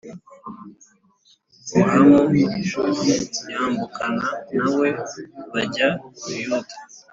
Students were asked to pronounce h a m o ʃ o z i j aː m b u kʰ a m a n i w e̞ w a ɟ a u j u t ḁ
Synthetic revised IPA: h a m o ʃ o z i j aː m b u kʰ a n a n a w e̞ β a ɟ a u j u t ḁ

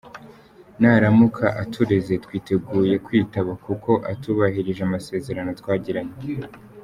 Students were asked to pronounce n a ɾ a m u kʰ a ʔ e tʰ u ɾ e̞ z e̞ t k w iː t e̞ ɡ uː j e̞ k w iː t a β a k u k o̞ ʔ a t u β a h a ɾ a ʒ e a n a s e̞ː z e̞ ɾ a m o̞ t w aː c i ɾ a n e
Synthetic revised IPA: n a ɾ a m u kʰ a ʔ a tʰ u ɾ e̞ z e̞ t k w iː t e̞ ɡ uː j e̞ k w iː t a β a k u k o̞ ʔ a t u β a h i ɾ i ʒ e a m a s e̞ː z e̞ ɾ a n o̞ t w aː ɟ i ɾ a ɲ e

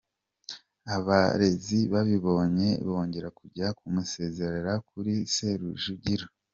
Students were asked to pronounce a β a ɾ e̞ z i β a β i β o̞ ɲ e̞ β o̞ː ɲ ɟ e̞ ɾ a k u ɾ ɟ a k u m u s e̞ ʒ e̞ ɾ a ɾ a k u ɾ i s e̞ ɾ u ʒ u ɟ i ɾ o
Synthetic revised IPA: a β a ɾ e̞ z i β a β i β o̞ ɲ e̞ β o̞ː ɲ ɟ e̞ ɾ a k u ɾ ɟ a k u m u s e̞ z e̞ ɾ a ɾ a k u ɾ i s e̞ ɾ u ʒ u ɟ i ɾ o

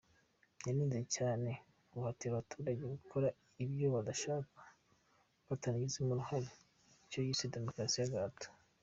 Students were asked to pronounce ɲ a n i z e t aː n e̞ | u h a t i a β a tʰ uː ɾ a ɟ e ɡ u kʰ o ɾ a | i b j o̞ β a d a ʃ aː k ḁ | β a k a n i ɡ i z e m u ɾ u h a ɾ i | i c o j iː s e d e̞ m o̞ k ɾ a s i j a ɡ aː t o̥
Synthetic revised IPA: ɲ a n i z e c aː n e̞ | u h a t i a β a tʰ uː ɾ a ɟ e ɡ u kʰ o ɾ a | i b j o̞ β a d a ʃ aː k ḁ | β a t a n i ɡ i z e m u ɾ u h a ɾ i | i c o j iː s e d e̞ m o̞ k ɾ a s i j a ɡ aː t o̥

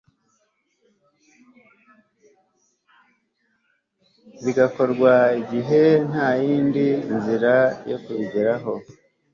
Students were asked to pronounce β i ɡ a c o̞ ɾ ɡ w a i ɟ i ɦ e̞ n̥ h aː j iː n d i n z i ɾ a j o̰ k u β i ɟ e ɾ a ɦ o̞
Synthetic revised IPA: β i ɡ a k o̞ ɾ ɡ w a i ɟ i ɦ e̞ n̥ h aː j iː n d i n z i ɾ a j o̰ k u β i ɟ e ɾ a ɦ o̞

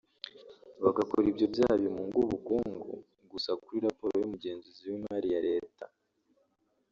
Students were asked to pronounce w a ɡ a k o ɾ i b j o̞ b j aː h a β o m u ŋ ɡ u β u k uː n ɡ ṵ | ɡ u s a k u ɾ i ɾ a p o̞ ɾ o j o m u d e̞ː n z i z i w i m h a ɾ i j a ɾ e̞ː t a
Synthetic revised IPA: β a ɡ a k o ɾ i b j o̞ b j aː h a β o m u ŋ ɡ u β u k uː ŋ ɡ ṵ | ɡ u s a k u ɾ i ɾ a p o̞ ɾ o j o m u ɟ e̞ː n z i z i w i m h a ɾ i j a ɾ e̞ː t a

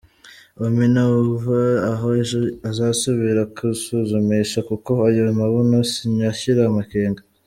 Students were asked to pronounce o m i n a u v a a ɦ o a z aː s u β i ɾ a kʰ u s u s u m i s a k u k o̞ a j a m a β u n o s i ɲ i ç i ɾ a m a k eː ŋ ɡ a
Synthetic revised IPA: o m i n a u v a a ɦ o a z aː s u β i ɾ a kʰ u s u z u m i ʃ a k u k o̞ a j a m a β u n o s i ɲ a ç i ɾ a m a k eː ŋ ɡ a

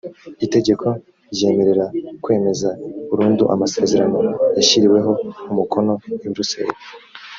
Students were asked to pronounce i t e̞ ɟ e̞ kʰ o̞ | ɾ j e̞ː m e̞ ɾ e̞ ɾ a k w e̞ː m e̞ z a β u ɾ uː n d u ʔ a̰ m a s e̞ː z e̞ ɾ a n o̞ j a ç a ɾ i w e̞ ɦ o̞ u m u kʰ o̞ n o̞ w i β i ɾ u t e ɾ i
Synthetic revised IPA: i t e̞ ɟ e̞ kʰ o̞ | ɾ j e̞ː m e̞ ɾ e̞ ɾ a k w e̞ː m e̞ z a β u ɾ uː n d u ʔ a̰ m a s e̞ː z e̞ ɾ a n o̞ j a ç i ɾ i w e̞ ɦ o̞ u m u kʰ o̞ n o̞ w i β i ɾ u s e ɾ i

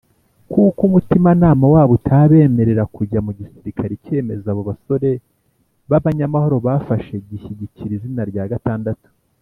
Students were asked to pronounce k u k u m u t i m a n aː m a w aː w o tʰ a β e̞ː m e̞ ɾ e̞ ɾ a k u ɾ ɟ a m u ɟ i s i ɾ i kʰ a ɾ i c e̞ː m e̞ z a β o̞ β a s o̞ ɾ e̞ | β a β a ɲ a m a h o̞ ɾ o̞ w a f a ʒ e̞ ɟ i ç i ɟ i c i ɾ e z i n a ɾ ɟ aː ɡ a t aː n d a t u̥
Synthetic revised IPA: k u k u m u t i m a n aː m a w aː β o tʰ a β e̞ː m e̞ ɾ e̞ ɾ a k u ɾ ɟ a m u ɟ i s i ɾ i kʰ a ɾ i c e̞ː m e̞ z a β o̞ β a s o̞ ɾ e̞ | β a β a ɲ a m a h o̞ ɾ o̞ β a f a ʃ e̞ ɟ i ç i ɟ i c i ɾ i z i n a ɾ ɟ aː ɡ a t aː n d a t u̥

